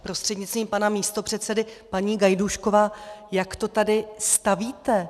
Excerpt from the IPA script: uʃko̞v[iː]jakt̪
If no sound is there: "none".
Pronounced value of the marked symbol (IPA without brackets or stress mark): aː